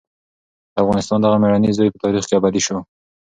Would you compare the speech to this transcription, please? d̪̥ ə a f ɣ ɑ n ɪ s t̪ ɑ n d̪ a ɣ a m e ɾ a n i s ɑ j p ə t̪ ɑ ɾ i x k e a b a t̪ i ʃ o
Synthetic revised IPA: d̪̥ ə a f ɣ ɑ n ɪ s t̪ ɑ n d̪ a ɣ a m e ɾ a n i z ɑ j p ə t̪ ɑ ɾ i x k e a b a d̪ i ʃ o